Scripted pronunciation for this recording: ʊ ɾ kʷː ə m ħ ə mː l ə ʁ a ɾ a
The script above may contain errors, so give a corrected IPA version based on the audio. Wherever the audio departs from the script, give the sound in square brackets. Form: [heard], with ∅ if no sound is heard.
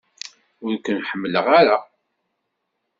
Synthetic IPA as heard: ʊ ɾ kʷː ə [n] ħ ə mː l ə ʁ a ɾ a